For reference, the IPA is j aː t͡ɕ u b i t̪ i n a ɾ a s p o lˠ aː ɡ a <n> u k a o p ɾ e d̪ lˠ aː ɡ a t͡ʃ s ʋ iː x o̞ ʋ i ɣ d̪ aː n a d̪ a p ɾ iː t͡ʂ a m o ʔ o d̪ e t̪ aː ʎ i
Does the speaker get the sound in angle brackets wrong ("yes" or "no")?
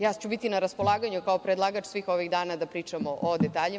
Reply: yes